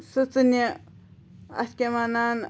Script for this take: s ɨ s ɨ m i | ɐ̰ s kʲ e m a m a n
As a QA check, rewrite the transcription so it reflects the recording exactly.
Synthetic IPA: s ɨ t͡s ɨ n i | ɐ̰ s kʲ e m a n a n